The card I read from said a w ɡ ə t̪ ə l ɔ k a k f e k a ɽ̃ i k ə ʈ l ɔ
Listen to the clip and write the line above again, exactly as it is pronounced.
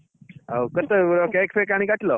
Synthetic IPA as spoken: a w k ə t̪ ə ɾ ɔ k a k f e k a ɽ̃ i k a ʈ l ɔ